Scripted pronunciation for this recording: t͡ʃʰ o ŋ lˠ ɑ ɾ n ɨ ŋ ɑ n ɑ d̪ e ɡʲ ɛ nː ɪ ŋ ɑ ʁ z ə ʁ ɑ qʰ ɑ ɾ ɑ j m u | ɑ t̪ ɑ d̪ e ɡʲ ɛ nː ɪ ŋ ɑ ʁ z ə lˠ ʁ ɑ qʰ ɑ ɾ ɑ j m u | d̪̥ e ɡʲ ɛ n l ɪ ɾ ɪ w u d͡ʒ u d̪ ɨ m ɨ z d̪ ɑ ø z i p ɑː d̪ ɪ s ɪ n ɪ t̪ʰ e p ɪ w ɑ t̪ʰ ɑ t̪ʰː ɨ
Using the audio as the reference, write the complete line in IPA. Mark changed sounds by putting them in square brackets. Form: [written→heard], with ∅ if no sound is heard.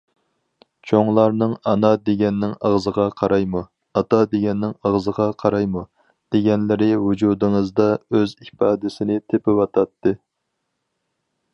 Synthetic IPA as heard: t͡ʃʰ o ŋ lˠ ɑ ɾ n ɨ ŋ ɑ n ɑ d̪ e ɡʲ ɛ nː ɪ ŋ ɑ ʁ z ə ʁ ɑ qʰ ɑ ɾ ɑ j m u | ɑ t̪ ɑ d̪ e ɡʲ ɛ nː ɪ ŋ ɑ ʁ z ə [lˠ→∅] ʁ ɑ qʰ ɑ ɾ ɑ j m u | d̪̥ e ɡʲ ɛ n l ɪ ɾ ɪ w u d͡ʒ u d̪ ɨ [m→ŋ] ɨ z d̪ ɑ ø z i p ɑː d̪ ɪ s ɪ n ɪ t̪ʰ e p ɪ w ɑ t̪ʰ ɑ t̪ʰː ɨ